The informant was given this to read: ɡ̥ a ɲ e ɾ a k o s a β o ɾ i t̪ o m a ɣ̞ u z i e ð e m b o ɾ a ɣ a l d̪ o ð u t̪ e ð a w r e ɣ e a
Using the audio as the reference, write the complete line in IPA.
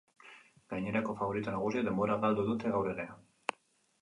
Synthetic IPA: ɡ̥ a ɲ e ɾ a k o f a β o ɾ i t̪ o n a ɣ̞ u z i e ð e m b o ɾ a ɣ a l d̪ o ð u t̪ e ɣ a w ɾ e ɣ e a